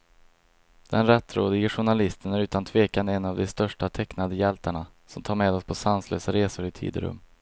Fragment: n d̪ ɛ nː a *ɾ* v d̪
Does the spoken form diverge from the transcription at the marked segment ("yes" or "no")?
yes